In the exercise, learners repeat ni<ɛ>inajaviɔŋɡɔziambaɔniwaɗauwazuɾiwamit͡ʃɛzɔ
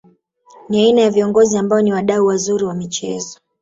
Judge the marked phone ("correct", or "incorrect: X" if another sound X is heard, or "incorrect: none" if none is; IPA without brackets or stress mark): incorrect: a